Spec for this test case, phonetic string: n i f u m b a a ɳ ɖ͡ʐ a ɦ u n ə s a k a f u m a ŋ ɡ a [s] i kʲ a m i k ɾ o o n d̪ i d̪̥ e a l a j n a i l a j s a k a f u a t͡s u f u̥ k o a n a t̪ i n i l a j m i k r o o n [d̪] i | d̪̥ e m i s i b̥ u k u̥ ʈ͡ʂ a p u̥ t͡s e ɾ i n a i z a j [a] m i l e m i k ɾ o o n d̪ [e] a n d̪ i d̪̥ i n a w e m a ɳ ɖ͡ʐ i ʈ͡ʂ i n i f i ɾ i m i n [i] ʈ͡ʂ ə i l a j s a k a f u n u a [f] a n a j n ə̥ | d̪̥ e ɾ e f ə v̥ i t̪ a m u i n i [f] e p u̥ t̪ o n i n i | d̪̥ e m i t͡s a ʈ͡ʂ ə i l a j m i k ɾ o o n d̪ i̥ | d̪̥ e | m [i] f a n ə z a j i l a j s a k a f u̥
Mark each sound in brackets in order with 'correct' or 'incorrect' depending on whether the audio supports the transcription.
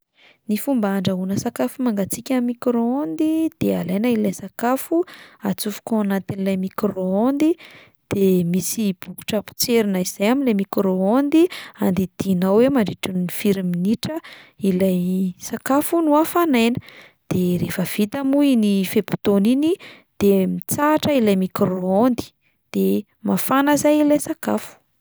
incorrect: t͡s, correct, correct, incorrect: i, correct, correct, correct, incorrect: a

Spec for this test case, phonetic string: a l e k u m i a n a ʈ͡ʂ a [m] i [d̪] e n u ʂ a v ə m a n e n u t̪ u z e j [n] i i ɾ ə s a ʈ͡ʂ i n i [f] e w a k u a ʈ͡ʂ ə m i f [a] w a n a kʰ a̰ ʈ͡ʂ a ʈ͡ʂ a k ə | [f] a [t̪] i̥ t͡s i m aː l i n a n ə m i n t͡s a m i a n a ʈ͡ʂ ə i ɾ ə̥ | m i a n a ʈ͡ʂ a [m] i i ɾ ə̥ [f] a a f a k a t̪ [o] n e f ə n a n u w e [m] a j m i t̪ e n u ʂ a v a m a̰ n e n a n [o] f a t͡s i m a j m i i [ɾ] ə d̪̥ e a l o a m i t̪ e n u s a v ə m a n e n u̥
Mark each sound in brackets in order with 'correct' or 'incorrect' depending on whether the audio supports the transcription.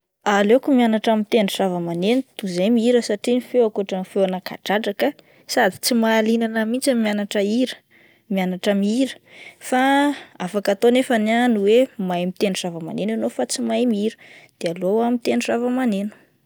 correct, incorrect: t̪, incorrect: m, correct, incorrect: e, incorrect: s, incorrect: d̪, correct, correct, correct, correct, correct, correct

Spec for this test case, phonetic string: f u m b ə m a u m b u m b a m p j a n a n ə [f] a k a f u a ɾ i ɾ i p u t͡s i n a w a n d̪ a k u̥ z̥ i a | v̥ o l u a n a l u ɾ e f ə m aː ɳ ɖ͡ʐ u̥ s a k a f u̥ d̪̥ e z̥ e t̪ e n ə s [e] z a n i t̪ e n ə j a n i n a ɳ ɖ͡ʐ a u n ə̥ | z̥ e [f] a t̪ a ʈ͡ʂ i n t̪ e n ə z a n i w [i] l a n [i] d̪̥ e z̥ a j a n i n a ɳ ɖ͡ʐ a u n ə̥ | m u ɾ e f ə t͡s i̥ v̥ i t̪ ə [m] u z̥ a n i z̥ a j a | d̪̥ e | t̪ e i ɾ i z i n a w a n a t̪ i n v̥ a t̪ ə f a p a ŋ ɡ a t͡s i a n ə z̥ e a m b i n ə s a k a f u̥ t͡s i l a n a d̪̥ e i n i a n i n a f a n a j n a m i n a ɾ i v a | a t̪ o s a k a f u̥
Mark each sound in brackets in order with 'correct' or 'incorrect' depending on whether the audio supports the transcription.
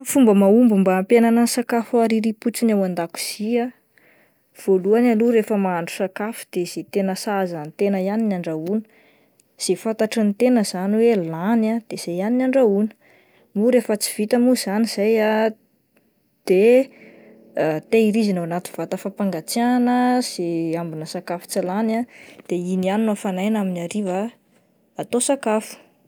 incorrect: s, incorrect: a, correct, incorrect: e, incorrect: a, correct

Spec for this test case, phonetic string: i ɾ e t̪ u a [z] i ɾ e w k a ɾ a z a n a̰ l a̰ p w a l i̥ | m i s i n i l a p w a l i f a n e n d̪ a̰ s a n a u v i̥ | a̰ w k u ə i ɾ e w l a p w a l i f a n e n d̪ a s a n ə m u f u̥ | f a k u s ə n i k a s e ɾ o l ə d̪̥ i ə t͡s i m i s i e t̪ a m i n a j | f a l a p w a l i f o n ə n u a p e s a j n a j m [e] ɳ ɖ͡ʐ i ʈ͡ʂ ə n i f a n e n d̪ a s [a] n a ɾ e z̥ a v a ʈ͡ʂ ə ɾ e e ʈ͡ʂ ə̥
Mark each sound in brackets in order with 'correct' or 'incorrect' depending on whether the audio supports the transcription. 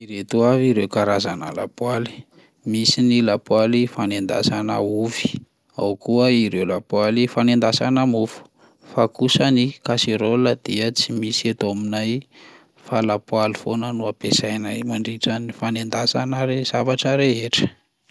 incorrect: v, incorrect: a, correct

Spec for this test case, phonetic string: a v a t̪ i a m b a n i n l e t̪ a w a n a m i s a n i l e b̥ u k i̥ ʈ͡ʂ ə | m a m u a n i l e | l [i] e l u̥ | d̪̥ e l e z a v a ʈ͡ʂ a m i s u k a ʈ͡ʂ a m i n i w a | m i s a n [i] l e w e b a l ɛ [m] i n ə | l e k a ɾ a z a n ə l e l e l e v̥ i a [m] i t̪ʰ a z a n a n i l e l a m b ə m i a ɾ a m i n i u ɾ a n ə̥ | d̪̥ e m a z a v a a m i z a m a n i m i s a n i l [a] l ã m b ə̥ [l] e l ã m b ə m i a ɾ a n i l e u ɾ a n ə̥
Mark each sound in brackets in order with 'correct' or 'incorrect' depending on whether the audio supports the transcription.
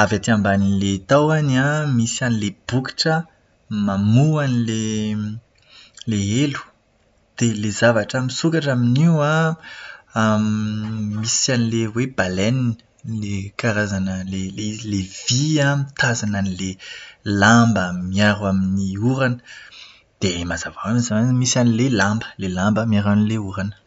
incorrect: e, correct, incorrect: n, correct, incorrect: e, correct

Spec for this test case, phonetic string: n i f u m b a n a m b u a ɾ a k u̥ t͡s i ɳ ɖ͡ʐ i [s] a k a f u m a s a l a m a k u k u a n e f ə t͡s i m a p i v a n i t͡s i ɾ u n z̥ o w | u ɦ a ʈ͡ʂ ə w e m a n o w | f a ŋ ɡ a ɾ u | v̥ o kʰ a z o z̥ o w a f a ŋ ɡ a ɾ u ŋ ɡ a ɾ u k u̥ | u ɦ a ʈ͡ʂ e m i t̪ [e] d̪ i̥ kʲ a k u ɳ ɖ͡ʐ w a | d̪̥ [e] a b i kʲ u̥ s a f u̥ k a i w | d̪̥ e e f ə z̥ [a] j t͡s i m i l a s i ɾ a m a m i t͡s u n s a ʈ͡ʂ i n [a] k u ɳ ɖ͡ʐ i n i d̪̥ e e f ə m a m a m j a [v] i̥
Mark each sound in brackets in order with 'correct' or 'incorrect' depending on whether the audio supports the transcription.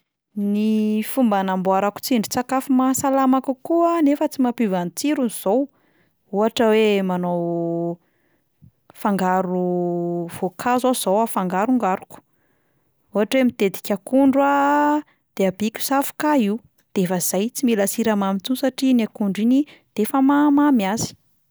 incorrect: t͡s, correct, correct, correct, correct, incorrect: z

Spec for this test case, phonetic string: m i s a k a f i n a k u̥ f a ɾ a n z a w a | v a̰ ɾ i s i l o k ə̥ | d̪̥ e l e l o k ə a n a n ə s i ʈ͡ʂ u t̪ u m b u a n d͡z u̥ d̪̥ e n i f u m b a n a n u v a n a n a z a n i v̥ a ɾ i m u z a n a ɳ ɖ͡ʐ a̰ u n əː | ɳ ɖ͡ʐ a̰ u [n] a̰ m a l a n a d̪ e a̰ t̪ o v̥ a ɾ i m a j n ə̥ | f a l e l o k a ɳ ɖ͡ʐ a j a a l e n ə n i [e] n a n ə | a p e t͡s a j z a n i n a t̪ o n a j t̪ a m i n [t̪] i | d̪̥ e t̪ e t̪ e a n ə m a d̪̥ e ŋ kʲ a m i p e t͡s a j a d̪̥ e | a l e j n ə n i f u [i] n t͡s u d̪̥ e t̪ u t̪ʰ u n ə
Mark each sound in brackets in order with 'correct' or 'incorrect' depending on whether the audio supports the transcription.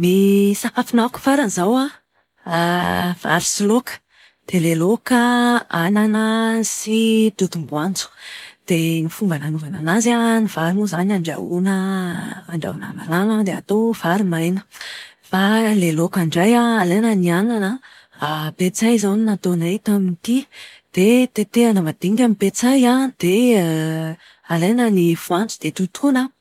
correct, incorrect: a, correct, incorrect: a

